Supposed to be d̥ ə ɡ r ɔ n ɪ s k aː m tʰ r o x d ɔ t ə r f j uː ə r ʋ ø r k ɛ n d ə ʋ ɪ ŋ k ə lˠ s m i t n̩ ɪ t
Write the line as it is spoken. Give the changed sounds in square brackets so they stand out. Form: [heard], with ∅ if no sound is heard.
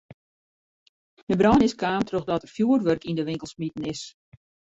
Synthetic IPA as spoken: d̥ ə [b] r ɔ n ɪ s k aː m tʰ r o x d ɔ t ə r f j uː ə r ʋ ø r k [i] n d ə ʋ ɪ ŋ k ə lˠ s m i t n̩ ɪ [s]